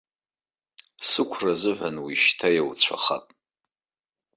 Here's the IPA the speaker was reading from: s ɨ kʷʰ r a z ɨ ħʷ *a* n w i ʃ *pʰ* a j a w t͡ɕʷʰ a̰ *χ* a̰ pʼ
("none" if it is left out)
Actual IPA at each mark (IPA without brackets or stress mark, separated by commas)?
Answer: a, tʰ, χ